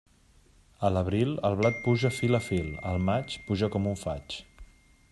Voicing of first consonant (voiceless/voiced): voiced